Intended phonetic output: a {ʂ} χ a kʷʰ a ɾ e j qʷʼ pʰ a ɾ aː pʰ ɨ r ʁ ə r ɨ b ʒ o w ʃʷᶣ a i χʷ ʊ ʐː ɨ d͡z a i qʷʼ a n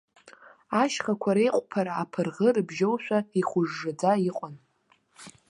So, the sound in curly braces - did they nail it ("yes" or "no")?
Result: no